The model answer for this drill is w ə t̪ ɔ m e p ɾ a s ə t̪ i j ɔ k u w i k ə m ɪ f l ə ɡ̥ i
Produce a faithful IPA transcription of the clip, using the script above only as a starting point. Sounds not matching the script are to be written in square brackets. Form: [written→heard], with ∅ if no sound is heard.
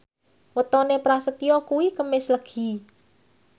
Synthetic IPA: w ə t̪ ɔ [m→n] e p ɾ a s ə t̪ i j ɔ k u w i k ə m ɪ [f→s] l ə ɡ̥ i